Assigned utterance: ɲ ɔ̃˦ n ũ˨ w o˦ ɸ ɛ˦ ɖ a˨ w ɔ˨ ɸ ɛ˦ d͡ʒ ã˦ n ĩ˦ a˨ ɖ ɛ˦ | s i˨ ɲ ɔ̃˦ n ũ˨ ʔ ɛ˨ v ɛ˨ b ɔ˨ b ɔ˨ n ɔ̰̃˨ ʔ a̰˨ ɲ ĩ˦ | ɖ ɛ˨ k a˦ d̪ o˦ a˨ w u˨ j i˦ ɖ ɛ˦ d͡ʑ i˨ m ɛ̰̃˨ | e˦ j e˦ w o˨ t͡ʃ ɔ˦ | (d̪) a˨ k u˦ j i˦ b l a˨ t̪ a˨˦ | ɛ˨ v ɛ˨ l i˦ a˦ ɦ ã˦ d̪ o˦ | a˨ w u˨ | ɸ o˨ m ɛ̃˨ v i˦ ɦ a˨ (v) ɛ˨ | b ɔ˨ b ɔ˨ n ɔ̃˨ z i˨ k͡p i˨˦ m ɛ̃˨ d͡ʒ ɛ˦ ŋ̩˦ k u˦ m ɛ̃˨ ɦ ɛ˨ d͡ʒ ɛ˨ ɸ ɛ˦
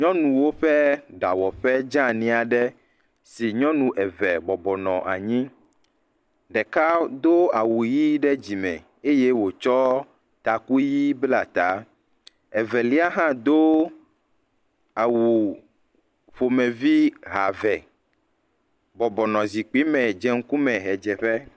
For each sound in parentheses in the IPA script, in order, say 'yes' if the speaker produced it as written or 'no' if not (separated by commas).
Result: no, yes